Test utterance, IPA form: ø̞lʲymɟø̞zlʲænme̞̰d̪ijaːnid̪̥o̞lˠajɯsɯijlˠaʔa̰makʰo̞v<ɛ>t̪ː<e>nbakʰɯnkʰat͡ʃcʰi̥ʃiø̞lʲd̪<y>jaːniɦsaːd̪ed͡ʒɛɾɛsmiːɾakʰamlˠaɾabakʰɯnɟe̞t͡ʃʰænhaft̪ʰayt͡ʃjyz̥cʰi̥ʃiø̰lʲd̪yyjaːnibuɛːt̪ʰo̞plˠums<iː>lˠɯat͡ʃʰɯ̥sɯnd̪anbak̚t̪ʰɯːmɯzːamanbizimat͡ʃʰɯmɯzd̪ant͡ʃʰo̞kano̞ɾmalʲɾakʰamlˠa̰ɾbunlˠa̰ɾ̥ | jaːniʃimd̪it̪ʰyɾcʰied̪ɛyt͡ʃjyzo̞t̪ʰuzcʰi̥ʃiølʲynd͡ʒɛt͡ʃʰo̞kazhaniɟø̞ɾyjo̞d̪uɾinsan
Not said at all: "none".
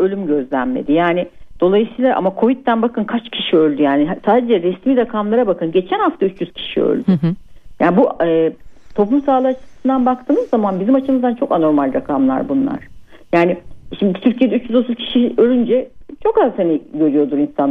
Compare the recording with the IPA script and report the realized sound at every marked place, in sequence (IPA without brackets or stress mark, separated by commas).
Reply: i, æ, y, aː